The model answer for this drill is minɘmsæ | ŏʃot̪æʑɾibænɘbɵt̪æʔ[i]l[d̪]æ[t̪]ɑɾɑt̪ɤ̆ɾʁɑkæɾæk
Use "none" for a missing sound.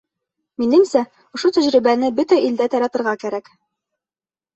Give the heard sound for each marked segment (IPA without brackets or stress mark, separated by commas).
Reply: i, d̪, t̪